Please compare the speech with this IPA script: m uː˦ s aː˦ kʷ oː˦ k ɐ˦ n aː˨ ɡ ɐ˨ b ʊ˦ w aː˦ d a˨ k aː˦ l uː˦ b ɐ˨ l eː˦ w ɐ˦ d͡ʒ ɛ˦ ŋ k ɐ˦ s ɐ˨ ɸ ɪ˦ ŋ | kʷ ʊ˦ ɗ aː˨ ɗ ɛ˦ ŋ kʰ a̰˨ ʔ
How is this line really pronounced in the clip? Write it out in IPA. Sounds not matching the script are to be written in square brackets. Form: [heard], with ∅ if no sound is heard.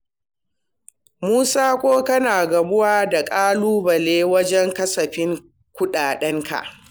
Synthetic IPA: m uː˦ s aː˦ kʷ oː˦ k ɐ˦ n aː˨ ɡ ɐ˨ b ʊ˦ w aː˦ d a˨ [kʼ] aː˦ l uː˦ b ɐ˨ l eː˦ w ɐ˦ d͡ʒ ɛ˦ ŋ k ɐ˦ s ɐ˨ ɸ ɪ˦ ŋ | kʷ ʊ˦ ɗ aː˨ ɗ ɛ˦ ŋ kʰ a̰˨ ʔ